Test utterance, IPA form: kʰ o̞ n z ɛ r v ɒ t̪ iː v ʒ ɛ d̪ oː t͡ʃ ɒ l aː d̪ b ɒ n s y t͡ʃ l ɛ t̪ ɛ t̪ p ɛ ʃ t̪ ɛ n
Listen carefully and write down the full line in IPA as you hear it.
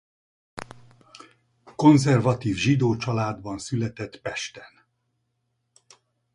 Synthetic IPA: k o̞ n z ɛ r v ɒ t̪ iː v ʒ i d̪ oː t͡ʃ ɒ l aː d̪ b ɒ n s y l ɛ t̪ ɛ t̪ p ɛ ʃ t̪ ɛ n